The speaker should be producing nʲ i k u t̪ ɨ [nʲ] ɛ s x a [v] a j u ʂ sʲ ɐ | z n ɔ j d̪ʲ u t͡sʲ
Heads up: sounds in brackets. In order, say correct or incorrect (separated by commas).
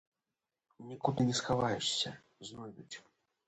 correct, correct